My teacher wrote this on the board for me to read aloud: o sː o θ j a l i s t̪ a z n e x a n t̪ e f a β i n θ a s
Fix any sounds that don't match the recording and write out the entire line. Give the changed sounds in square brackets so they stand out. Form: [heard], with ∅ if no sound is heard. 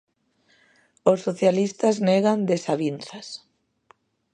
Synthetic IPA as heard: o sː o θ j a l i s t̪ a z n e [ɣ] a n [d̪] e [s] a β i n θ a s